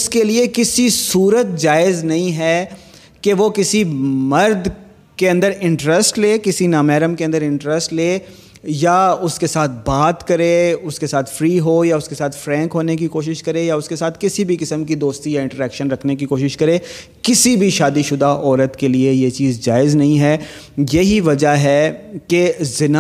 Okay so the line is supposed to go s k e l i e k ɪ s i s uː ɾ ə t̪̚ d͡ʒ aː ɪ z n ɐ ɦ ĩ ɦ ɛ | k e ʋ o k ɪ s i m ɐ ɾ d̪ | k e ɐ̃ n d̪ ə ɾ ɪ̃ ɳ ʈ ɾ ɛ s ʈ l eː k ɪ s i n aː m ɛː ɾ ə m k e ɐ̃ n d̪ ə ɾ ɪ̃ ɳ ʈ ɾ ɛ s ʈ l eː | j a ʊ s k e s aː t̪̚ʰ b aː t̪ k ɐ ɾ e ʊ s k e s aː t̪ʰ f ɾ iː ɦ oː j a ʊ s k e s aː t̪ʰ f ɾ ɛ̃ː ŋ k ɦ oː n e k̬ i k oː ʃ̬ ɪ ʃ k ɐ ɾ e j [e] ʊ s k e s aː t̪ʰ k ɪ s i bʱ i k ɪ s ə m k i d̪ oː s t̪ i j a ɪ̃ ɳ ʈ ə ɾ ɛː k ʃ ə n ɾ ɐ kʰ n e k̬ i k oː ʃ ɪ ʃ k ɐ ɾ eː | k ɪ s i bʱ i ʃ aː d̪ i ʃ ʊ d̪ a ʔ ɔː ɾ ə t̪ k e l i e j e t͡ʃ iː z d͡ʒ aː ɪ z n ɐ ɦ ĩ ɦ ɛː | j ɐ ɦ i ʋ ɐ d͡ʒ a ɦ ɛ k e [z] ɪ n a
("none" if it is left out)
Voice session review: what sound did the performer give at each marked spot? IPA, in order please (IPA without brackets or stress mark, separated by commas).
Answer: a, z